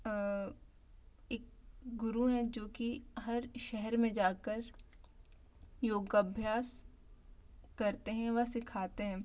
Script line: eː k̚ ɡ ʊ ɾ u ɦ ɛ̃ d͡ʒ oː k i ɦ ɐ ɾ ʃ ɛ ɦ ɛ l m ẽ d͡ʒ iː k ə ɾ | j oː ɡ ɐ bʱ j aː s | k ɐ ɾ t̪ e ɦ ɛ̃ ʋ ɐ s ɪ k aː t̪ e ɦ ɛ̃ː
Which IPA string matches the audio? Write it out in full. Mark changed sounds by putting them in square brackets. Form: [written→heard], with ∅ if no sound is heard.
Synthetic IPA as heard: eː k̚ ɡ ʊ ɾ u ɦ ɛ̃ d͡ʒ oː k i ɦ ɐ ɾ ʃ ɛ ɦ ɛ [l→ɾ] m ẽ d͡ʒ [iː→aː] k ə ɾ | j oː ɡ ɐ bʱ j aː s | k ɐ ɾ t̪ e ɦ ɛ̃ ʋ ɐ s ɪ [k→kʰ] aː t̪ e ɦ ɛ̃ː